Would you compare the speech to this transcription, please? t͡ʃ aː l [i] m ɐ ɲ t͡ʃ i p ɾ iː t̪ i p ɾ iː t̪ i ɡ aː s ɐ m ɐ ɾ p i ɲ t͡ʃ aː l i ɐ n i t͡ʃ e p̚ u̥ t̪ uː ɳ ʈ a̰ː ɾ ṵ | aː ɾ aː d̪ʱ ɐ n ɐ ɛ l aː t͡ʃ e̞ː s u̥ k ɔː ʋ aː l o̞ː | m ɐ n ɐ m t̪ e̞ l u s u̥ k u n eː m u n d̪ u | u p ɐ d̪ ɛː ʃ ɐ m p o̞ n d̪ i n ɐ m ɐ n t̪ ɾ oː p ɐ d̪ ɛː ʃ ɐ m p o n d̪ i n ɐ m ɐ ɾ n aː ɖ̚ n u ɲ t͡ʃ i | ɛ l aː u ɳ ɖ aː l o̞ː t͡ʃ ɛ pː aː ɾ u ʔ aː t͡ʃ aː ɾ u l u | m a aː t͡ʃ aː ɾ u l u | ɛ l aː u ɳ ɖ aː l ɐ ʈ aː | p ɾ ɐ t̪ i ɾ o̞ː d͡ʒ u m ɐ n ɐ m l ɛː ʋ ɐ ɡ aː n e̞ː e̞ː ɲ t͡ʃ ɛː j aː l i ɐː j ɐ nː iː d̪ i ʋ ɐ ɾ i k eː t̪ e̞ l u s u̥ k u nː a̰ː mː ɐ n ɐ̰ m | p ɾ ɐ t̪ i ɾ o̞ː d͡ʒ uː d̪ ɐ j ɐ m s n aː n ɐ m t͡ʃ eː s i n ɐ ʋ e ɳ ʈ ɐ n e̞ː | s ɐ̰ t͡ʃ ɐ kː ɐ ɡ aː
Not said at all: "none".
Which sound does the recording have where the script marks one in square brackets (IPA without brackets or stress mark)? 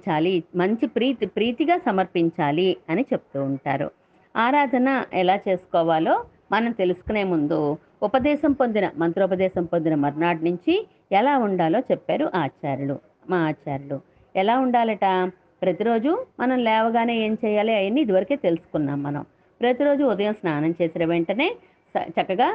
i